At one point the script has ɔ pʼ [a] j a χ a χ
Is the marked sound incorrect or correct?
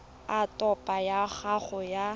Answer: correct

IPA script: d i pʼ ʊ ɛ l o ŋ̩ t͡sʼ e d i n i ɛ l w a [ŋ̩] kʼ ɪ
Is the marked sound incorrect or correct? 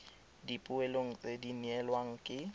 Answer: correct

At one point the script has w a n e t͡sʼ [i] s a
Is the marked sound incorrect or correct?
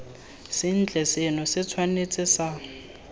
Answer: incorrect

